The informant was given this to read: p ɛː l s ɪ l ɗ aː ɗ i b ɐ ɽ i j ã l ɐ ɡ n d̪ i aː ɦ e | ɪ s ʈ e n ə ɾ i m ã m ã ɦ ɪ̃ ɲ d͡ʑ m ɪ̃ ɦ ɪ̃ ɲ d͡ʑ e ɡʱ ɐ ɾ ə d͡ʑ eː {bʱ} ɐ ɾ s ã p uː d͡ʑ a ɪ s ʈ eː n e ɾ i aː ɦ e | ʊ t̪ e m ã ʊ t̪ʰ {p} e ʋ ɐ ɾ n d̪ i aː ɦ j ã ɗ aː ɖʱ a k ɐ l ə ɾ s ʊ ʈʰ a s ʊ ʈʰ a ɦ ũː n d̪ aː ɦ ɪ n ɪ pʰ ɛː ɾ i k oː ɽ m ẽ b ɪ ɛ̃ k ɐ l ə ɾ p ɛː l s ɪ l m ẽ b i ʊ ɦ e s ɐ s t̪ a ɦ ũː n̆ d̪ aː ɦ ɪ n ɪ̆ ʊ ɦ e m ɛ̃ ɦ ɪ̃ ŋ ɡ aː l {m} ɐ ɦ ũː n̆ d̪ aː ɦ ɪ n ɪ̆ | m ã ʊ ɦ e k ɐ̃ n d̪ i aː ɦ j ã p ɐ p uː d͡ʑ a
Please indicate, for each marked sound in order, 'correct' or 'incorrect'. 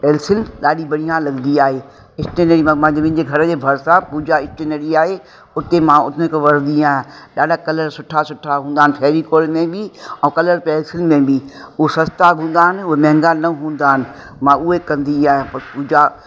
correct, incorrect: k, incorrect: n

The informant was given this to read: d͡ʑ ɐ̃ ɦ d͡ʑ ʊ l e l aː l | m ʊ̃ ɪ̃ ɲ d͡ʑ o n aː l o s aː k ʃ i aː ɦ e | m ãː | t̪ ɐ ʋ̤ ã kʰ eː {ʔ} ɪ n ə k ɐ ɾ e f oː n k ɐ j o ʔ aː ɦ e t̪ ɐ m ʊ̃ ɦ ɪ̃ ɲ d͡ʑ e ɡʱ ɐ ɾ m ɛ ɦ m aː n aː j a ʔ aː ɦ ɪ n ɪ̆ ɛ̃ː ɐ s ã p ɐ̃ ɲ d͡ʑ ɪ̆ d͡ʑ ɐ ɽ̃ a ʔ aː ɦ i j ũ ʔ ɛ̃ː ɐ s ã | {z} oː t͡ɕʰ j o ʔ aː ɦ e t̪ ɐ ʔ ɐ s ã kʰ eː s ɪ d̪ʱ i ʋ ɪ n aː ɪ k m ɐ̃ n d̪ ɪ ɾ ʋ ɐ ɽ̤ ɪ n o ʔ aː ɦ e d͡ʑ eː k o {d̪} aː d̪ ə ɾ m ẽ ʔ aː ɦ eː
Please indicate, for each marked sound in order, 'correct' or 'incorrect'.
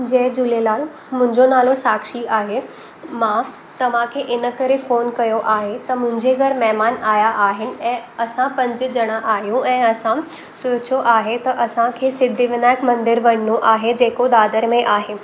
correct, incorrect: s, correct

